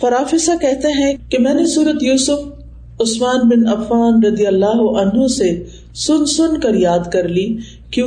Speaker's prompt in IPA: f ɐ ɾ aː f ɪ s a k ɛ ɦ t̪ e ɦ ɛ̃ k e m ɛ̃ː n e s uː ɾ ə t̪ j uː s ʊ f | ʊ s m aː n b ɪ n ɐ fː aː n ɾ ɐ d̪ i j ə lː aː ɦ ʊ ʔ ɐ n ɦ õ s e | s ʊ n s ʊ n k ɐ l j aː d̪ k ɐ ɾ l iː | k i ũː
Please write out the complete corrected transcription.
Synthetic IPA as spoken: f ɐ ɾ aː f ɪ s a k ɛ ɦ t̪ e ɦ ɛ̃ k e m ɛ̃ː n e s uː ɾ ə t̪ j uː s ʊ f | ʊ s m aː n b ɪ n ɐ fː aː n ɾ ɐ d̪ i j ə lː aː ɦ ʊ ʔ ɐ n ɦ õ s e | s ʊ n s ʊ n k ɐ ɾ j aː d̪ k ɐ ɾ l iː | k j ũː